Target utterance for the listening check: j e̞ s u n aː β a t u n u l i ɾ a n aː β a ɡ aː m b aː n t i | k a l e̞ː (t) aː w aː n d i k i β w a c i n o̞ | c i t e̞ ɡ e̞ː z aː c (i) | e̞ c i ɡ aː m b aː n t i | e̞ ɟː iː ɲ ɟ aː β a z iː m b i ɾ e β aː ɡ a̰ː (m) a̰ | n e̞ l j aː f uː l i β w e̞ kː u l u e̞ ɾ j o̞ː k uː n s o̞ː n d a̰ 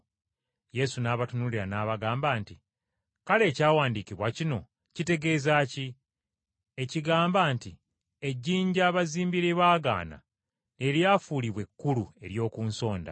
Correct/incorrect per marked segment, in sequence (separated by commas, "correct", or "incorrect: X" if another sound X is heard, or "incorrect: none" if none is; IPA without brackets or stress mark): incorrect: c, correct, incorrect: n